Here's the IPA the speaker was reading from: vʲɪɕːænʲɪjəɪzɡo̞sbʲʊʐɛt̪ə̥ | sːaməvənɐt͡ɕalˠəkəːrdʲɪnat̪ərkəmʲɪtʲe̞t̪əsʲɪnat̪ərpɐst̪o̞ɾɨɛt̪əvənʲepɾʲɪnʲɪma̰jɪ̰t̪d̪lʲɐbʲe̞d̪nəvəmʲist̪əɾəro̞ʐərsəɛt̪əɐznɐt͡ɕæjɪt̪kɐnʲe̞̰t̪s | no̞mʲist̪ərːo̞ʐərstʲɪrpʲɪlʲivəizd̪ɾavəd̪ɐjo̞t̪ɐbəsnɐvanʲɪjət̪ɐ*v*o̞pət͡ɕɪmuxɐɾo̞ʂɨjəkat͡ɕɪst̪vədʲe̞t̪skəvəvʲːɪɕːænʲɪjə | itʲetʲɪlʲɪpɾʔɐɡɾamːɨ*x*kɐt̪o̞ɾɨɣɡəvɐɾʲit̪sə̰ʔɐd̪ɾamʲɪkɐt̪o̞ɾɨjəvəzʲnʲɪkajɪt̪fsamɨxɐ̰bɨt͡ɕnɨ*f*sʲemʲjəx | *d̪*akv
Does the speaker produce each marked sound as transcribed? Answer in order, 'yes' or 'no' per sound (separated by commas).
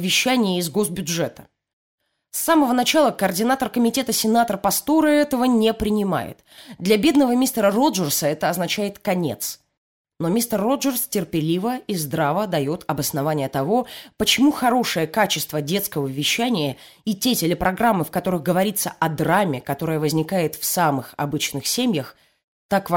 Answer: yes, no, no, no